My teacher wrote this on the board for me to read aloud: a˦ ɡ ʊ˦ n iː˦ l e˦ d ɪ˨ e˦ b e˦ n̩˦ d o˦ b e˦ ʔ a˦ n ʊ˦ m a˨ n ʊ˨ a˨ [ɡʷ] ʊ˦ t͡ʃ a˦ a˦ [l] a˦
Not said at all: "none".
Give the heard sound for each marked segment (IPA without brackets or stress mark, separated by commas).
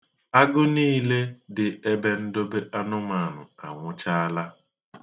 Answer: ŋʷ, l